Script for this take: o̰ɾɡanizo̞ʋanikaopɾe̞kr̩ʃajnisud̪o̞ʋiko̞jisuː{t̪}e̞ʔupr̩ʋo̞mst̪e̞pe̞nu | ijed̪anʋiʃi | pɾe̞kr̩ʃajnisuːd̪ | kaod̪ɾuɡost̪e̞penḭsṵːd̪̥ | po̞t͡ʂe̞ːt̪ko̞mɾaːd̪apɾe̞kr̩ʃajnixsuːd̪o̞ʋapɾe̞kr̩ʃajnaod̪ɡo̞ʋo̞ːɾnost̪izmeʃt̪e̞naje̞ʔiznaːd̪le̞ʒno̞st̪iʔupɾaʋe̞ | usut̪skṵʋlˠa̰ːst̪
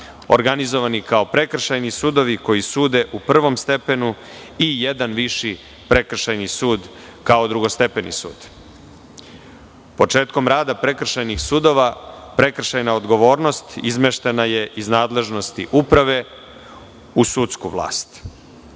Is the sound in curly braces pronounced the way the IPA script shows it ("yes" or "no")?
no